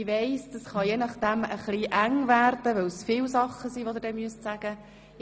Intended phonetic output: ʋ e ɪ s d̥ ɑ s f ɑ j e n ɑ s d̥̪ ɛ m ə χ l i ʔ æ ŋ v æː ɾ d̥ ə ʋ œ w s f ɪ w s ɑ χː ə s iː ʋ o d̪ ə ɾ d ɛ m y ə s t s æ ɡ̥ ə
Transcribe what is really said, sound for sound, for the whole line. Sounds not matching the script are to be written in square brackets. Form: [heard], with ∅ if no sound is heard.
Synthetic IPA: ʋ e ɪ s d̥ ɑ s [χ] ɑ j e n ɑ [χ] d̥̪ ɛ m ə χ l i ʔ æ ŋ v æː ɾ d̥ ə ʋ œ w s f ɪ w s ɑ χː ə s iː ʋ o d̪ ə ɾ d ɛ m y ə s t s æ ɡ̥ ə